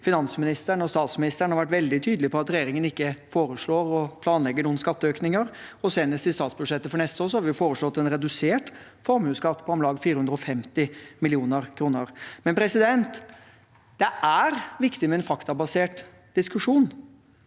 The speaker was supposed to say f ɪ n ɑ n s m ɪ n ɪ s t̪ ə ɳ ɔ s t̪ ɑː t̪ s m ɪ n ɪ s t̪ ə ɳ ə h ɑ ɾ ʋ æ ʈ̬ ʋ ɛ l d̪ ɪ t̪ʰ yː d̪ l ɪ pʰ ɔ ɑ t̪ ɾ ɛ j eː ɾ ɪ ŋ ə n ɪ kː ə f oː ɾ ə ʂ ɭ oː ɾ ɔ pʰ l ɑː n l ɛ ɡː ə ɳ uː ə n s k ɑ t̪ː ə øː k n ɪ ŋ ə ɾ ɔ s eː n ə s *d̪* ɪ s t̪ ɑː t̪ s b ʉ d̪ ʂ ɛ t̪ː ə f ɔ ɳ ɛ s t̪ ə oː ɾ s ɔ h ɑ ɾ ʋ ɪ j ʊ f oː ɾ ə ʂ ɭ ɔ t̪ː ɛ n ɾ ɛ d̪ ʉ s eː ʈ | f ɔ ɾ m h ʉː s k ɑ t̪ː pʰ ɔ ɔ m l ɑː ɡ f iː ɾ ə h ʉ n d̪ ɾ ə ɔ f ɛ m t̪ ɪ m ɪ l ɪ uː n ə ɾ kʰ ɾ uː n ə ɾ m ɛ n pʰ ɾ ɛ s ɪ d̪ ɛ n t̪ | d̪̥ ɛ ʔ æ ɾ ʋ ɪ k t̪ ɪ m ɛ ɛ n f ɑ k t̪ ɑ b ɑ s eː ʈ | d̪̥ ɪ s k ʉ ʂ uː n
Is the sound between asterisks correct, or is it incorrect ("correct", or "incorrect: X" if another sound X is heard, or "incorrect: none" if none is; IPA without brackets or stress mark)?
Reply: incorrect: t̪